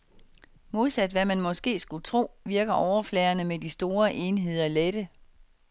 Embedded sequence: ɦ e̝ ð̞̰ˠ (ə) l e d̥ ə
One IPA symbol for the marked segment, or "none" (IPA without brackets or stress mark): ɐ